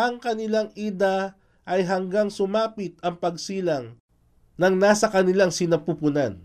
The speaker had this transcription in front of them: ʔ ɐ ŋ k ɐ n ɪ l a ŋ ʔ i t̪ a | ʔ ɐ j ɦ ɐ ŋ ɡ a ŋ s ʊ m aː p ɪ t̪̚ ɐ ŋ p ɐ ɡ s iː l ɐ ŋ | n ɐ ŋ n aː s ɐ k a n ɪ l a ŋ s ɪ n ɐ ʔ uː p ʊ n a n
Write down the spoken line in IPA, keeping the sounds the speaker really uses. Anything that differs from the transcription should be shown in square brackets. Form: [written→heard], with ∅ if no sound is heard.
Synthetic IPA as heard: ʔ ɐ ŋ k ɐ n ɪ l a ŋ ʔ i [t̪→d̪] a | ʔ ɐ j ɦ ɐ ŋ ɡ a ŋ s ʊ m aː p ɪ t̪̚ ɐ ŋ p ɐ ɡ s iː l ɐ ŋ | n ɐ ŋ n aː s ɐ k [a→ɐ] n ɪ l a ŋ s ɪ n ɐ [ʔ→p] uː p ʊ n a n